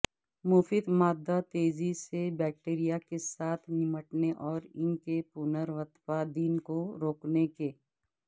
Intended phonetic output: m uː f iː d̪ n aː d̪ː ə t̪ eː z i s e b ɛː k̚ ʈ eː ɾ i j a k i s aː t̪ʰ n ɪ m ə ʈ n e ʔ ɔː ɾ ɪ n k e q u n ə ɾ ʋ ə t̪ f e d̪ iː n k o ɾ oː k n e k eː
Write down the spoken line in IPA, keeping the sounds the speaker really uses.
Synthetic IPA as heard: m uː f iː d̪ m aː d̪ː a t̪ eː z i s e b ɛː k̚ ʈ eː ɾ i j a k e s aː t̪ʰ n ɪ m ə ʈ n e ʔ ɔː ɾ ɪ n k e p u n ə ɾ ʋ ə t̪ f a d̪ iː n k o ɾ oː k n e k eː